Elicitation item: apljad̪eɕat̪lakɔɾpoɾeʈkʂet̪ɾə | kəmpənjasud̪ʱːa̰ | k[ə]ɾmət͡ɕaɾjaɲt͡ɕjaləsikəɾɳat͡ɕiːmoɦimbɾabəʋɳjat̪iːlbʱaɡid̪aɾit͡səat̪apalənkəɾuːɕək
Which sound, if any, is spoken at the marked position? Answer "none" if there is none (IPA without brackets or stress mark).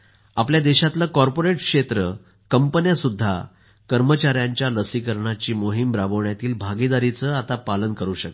ə